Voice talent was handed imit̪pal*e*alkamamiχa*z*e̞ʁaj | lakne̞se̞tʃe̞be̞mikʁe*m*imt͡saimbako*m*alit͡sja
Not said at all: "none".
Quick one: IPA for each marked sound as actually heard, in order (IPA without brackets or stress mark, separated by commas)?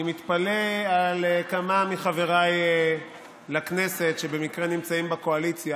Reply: e, v, n, none